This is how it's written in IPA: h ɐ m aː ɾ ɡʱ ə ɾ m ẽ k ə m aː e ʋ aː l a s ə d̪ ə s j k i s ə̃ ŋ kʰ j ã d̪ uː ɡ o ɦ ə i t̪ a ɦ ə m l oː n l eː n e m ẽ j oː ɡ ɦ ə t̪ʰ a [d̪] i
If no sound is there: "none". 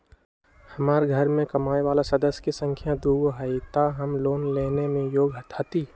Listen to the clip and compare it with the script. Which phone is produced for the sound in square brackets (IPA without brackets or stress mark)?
t̪